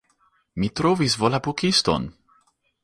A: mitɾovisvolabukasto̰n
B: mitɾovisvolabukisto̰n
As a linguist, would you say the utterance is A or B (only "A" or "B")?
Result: B